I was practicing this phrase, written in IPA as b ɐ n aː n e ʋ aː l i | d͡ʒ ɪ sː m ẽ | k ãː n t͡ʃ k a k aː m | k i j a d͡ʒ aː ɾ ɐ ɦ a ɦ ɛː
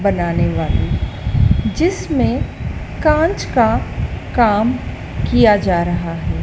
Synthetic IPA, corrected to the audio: b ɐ n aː n e ʋ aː l i | d͡ʒ ɪ s m ẽ | k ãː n t͡ʃ k a k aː m | k i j a d͡ʒ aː ɾ ɐ ɦ a ɦ ɛː